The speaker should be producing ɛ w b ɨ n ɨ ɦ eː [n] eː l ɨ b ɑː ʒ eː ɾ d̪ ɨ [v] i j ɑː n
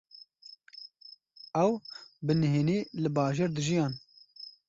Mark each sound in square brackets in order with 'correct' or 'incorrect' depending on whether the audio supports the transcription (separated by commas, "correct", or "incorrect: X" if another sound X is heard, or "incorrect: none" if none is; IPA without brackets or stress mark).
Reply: correct, incorrect: ʒ